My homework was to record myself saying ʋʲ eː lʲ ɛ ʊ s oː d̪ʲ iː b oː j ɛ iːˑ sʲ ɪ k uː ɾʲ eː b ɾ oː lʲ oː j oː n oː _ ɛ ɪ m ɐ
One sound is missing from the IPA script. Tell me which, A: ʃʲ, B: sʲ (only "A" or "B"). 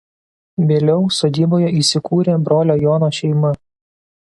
A